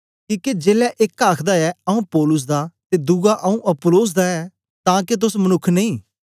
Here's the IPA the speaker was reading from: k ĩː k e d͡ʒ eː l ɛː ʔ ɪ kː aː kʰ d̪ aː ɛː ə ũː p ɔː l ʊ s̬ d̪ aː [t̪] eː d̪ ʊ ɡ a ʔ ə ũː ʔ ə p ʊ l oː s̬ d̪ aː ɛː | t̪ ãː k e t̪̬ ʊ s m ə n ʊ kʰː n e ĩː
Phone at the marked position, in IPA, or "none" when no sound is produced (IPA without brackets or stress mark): t̪